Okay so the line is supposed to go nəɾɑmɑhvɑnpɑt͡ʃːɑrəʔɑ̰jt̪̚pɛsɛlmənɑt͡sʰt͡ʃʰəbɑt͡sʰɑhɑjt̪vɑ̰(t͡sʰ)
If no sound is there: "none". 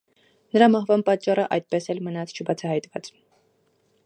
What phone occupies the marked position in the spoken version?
t͡s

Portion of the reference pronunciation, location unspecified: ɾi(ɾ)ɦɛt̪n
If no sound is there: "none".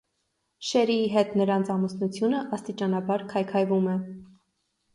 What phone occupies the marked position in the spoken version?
none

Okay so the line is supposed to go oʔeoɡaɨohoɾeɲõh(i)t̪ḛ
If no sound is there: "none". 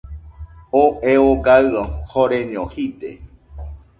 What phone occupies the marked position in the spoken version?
i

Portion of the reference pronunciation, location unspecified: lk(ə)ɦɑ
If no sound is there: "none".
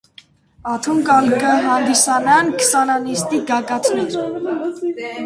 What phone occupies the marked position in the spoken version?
ə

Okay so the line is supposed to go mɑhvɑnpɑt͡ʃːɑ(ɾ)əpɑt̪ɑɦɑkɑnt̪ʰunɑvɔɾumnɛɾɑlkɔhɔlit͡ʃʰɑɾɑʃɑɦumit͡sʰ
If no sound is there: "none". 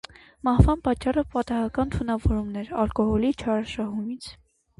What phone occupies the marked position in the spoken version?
r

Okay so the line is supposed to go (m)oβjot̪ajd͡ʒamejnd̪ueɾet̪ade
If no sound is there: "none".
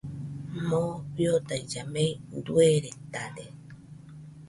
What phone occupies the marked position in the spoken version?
m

